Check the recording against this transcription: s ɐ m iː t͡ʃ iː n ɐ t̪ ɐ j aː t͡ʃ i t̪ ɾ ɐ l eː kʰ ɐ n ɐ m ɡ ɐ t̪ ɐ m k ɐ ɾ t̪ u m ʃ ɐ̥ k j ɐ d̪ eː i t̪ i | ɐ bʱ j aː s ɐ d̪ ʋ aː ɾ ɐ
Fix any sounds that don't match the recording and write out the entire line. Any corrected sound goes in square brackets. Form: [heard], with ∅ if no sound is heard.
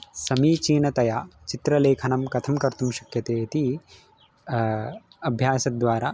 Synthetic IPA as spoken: s ɐ m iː t͡ʃ iː n ɐ t̪ ɐ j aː t͡ʃ i t̪ ɾ ɐ l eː kʰ ɐ n ɐ m [k] ɐ [t̪ʰ] ɐ m k ɐ ɾ t̪ u m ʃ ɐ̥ k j ɐ [t̪] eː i t̪ i | ɐ bʱ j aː s ɐ d̪ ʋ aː ɾ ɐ